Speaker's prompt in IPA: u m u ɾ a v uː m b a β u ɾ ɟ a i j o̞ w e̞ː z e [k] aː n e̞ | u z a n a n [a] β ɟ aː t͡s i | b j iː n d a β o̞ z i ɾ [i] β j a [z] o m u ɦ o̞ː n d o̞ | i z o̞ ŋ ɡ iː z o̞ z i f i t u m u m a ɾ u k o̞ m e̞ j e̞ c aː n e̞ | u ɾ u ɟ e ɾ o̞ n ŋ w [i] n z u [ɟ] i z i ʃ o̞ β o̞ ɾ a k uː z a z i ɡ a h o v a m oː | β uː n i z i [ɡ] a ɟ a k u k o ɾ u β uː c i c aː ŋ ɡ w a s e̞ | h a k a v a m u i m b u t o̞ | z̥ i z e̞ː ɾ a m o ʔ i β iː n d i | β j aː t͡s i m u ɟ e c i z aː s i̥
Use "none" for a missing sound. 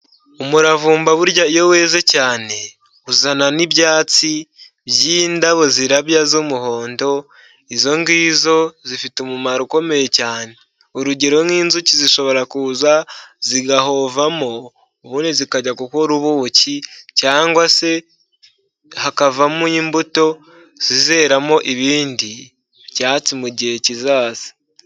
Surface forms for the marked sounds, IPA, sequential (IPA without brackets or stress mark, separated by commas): c, i, a, z, iː, c, k